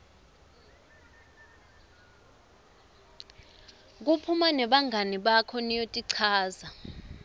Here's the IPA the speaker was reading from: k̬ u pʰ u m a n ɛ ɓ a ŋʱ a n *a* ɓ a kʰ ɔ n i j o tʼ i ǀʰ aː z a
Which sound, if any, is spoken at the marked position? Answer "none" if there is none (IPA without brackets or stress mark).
i